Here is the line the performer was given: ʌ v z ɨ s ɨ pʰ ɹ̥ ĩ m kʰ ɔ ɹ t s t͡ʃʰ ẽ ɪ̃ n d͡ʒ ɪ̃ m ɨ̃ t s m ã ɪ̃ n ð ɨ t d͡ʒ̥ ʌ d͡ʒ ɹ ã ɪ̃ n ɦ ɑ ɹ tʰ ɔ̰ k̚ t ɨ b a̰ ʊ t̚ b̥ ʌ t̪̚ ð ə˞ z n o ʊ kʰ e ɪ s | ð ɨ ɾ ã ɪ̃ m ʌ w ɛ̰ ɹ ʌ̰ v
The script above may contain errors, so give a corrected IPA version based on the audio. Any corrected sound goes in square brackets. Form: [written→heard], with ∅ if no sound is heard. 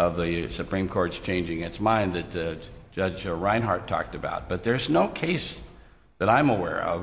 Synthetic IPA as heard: ʌ v [z→ð] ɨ s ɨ pʰ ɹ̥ ĩ m kʰ ɔ ɹ t s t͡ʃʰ ẽ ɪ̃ n d͡ʒ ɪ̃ [m→ŋ] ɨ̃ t s m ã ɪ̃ n ð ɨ t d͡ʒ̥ ʌ d͡ʒ ɹ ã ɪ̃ n ɦ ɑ ɹ tʰ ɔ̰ k̚ t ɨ b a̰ ʊ t̚ b̥ ʌ t̪̚ ð ə˞ z n o ʊ kʰ e ɪ s | ð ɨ ɾ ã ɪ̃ m [ʌ→ə] w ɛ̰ ɹ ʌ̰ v

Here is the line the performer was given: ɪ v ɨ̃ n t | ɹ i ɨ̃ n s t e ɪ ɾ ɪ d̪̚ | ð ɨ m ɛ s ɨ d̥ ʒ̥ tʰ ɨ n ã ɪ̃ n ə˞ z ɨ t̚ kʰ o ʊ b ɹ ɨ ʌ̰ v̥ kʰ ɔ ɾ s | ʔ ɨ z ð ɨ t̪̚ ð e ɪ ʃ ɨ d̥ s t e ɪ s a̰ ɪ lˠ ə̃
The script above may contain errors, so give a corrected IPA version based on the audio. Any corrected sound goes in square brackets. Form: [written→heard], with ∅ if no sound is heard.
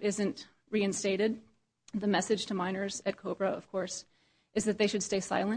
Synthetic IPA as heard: ɪ [v→z] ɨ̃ n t | ɹ i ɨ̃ n s t e ɪ ɾ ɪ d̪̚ | ð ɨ m ɛ s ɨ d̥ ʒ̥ tʰ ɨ [n→m] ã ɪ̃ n ə˞ z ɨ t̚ kʰ o ʊ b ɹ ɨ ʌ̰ v̥ kʰ ɔ [ɾ→ɹ] s | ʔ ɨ z ð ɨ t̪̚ ð e ɪ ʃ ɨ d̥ s t e ɪ s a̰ ɪ lˠ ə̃

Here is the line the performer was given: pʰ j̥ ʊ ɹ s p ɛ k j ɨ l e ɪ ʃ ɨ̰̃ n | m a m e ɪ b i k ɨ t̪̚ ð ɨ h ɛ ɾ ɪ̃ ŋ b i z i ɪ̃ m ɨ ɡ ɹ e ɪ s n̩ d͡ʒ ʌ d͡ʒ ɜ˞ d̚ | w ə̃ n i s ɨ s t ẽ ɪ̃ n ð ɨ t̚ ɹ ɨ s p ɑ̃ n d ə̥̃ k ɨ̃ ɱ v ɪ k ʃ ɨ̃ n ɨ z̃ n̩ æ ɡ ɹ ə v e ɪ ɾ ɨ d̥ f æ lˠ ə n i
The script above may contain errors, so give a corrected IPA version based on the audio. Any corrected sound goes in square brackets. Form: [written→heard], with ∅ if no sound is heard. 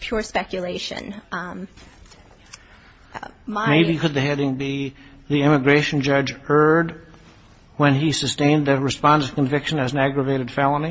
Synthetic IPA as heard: pʰ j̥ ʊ ɹ s p ɛ k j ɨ l e ɪ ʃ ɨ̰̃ n | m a m e ɪ b i k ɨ [t̪̚→d̪̚] ð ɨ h ɛ ɾ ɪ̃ ŋ b i [z→ð] i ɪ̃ m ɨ ɡ ɹ e ɪ [s→ʃ] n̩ d͡ʒ ʌ d͡ʒ ɜ˞ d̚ | w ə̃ n i s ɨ s t ẽ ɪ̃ n ð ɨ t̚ ɹ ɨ s p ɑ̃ n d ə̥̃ k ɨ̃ ɱ v ɪ k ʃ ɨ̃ n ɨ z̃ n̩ æ ɡ ɹ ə v e ɪ ɾ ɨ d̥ f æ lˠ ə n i

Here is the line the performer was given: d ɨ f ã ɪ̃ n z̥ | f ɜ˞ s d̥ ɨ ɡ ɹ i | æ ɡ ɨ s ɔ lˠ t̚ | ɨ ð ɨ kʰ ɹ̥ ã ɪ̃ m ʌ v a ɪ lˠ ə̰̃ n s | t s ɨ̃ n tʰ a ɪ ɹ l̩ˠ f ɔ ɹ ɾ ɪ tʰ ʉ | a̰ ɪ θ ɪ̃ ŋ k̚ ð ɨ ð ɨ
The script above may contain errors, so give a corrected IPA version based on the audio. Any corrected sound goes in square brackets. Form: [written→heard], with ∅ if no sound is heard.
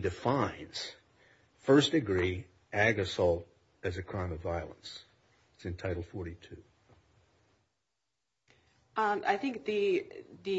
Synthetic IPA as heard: d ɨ f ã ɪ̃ n z̥ | f ɜ˞ s d̥ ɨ ɡ ɹ i | æ ɡ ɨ s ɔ lˠ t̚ | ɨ [ð→z] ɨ kʰ ɹ̥ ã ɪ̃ m ʌ v a ɪ lˠ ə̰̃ n s | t s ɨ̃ n tʰ a ɪ [ɹ→ɾ] l̩ˠ f ɔ ɹ ɾ [ɪ→i] tʰ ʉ | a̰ ɪ θ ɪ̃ ŋ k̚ ð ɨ ð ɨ

